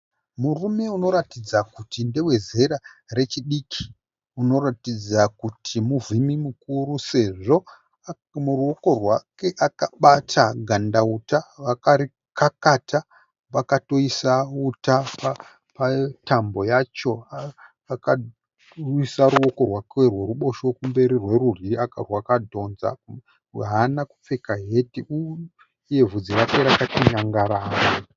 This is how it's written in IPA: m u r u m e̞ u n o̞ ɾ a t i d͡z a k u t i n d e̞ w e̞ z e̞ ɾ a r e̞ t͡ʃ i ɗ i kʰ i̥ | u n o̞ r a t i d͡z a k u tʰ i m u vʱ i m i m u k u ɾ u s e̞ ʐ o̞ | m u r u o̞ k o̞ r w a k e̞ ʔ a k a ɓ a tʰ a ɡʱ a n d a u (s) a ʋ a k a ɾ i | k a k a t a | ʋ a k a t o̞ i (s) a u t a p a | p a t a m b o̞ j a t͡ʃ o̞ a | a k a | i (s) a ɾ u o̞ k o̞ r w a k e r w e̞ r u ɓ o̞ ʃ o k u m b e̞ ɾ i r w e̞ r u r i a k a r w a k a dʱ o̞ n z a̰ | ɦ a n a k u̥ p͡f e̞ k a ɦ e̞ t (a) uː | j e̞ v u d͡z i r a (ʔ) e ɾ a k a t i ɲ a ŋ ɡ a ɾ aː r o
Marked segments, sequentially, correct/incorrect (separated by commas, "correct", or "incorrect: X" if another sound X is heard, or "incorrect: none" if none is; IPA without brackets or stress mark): incorrect: t, correct, correct, incorrect: i, incorrect: k